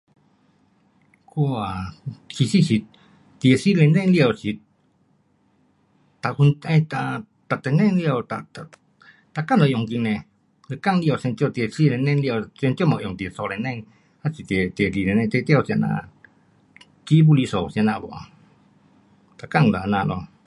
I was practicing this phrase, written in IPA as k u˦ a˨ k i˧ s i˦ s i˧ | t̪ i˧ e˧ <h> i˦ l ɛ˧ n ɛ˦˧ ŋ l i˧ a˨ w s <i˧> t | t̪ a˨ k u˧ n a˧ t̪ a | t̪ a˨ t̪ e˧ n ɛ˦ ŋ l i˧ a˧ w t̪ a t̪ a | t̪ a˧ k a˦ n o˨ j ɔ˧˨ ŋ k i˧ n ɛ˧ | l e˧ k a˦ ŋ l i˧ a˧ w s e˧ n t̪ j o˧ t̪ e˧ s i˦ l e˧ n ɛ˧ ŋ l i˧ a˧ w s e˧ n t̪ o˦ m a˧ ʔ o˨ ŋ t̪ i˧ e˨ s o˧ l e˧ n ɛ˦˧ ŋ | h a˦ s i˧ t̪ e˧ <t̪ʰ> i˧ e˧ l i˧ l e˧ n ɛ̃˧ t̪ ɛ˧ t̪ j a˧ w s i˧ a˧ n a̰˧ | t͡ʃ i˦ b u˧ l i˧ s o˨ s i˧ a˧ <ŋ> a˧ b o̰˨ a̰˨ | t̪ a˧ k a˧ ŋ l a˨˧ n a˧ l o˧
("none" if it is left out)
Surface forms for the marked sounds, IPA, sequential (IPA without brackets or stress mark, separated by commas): s, i˧, t̪, n